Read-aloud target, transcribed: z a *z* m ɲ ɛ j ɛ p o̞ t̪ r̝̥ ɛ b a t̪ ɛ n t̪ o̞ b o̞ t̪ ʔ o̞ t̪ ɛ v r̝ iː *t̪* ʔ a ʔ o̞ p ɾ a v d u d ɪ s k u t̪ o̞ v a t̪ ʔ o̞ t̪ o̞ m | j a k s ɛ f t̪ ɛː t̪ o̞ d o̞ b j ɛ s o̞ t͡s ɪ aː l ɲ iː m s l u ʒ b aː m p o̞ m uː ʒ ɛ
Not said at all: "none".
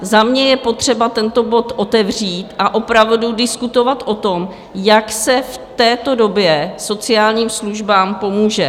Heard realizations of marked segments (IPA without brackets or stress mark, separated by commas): none, t̪